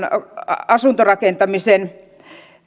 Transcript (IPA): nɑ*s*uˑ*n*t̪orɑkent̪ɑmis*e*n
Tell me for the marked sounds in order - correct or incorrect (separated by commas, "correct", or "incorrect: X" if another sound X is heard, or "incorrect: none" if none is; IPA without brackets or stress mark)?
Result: correct, correct, correct